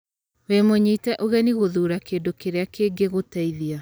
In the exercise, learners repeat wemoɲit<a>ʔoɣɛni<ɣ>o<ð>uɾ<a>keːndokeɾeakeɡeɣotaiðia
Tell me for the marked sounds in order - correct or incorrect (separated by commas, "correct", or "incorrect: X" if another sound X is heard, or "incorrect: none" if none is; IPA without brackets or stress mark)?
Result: incorrect: ɛ, correct, correct, correct